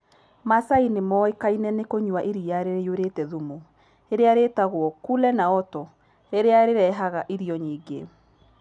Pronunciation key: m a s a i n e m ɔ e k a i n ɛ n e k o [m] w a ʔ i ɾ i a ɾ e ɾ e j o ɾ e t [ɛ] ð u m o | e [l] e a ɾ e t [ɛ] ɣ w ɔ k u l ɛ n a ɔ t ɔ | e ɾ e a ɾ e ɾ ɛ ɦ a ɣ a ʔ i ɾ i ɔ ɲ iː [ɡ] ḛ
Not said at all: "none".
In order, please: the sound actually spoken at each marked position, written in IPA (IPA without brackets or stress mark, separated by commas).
ɲ, ɛ, ɾ, a, ɡ